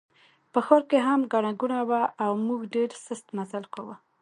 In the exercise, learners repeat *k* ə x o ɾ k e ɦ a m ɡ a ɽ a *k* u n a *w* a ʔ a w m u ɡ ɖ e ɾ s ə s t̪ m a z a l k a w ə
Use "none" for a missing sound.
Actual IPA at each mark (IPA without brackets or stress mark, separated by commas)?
p, ɡ, w